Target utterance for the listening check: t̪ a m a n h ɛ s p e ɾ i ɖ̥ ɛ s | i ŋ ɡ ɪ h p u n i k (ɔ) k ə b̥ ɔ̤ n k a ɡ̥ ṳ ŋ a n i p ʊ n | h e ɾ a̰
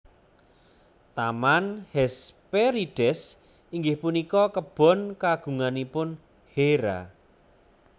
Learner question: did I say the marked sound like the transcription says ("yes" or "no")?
yes